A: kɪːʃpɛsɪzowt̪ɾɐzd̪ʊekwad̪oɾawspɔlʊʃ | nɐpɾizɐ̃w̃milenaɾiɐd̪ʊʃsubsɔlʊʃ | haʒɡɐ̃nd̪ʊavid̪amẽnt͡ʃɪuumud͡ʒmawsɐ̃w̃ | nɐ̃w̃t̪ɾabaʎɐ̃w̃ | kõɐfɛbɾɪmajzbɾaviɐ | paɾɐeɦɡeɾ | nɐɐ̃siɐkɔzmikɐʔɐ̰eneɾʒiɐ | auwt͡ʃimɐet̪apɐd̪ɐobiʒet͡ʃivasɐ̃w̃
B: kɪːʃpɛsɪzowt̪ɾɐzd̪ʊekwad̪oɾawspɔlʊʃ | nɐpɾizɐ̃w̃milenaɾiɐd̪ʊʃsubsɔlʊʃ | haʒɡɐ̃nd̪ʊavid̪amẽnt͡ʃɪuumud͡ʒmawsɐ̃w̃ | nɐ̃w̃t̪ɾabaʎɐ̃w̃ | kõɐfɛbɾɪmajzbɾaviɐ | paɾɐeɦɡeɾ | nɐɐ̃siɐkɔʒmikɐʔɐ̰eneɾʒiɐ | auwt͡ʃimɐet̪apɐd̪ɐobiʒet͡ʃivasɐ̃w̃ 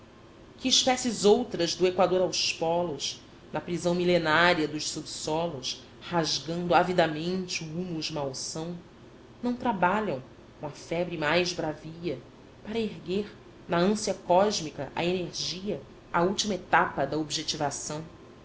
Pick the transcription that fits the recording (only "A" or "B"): B